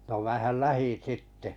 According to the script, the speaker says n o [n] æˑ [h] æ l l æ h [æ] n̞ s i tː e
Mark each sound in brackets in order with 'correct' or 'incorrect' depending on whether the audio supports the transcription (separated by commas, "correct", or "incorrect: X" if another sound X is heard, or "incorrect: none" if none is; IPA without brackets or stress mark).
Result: incorrect: m, correct, incorrect: i